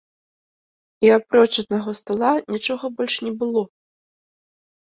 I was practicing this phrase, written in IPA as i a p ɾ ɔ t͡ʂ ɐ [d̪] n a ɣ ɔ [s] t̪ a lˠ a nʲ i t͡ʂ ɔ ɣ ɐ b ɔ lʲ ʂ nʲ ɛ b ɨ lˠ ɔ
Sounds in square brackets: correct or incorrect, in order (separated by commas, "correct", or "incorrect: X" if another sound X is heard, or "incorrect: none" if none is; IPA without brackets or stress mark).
correct, correct